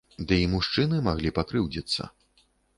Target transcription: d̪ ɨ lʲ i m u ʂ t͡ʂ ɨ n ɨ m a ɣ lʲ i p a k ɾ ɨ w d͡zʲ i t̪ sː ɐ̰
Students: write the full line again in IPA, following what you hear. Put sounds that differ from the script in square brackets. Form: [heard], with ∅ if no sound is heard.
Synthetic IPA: d̪ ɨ [∅] i m u ʂ t͡ʂ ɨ n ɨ m a ɣ lʲ i p a k ɾ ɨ w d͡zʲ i t̪ sː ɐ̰